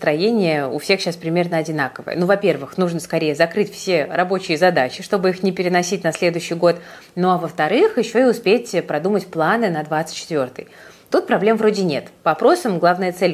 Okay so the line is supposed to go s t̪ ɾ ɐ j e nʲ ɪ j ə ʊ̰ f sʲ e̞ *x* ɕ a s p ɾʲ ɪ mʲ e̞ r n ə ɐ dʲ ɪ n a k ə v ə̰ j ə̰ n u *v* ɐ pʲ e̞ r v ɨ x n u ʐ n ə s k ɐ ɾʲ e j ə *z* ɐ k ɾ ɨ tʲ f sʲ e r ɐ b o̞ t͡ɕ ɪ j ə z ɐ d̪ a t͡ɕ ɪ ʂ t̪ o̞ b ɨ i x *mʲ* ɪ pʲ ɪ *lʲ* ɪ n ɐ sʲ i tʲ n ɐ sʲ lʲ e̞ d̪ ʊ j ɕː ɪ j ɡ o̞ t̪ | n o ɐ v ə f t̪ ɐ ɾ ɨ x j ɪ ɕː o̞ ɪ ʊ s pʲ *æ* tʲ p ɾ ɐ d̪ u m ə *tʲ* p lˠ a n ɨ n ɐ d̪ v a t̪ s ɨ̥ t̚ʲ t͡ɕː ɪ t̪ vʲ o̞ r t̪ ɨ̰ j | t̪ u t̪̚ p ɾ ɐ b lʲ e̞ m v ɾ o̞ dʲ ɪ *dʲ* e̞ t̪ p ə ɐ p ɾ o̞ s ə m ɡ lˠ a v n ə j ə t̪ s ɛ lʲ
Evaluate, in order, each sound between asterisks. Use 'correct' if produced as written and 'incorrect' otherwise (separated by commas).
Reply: correct, correct, correct, incorrect, incorrect, incorrect, correct, incorrect